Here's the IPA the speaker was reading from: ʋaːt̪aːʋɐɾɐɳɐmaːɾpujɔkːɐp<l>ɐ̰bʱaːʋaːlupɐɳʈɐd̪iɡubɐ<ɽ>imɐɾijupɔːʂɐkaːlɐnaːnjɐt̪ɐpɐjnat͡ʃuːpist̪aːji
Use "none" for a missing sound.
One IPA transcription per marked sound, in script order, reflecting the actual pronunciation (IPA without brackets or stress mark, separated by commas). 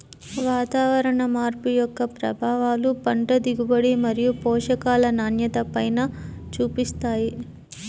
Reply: ɾ, ɽ